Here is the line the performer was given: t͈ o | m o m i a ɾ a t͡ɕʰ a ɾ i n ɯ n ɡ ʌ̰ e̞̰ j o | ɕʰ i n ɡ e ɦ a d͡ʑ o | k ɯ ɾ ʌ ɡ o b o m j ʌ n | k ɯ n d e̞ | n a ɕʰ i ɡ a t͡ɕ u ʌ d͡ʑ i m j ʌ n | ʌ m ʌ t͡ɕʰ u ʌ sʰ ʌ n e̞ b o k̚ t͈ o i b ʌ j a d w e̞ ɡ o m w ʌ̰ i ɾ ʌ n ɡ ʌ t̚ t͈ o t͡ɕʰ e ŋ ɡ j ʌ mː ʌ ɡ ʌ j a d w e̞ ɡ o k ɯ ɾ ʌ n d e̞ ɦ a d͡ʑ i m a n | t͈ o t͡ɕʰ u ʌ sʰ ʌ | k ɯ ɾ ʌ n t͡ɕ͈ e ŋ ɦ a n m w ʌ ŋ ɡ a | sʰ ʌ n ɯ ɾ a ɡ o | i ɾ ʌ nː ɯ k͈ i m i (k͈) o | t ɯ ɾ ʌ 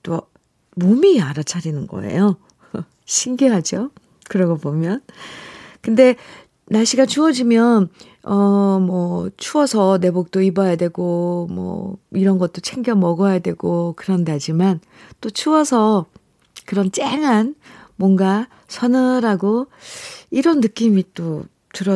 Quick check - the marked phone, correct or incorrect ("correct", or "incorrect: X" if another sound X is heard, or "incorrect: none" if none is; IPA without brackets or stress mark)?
incorrect: t͈